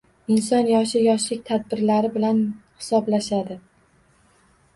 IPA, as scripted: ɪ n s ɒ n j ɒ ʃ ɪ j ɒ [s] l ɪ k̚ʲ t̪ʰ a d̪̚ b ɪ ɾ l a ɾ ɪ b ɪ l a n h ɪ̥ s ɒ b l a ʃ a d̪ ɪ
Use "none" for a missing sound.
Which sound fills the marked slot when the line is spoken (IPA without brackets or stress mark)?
ʃ